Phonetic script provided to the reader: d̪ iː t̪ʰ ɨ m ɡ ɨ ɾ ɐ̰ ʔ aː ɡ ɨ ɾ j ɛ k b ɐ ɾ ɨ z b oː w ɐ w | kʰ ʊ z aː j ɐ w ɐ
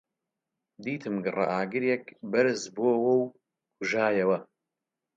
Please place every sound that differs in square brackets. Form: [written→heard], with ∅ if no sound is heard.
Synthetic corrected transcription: d̪ iː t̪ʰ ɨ m ɡ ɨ [ɾ→r] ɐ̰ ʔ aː ɡ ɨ ɾ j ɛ k b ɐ ɾ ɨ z b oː w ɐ w | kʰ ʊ [z→ʒ] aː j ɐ w ɐ